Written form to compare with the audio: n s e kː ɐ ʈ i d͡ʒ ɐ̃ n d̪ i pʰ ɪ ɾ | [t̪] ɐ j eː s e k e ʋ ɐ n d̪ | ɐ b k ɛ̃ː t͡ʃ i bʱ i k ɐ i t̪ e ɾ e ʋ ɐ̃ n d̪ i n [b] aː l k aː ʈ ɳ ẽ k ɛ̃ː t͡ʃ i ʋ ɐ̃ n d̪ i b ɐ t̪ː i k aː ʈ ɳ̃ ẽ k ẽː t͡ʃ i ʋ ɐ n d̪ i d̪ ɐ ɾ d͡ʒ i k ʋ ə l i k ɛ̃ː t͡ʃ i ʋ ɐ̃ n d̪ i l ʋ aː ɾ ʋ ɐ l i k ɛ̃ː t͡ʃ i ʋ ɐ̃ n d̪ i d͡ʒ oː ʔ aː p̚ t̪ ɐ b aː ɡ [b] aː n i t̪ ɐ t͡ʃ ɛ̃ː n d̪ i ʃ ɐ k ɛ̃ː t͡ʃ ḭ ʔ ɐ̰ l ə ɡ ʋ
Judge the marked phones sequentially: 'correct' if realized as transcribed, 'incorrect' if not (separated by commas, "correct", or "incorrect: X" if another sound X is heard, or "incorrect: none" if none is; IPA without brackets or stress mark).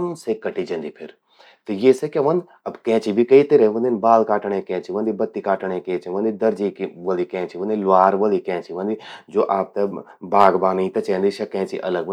correct, correct, correct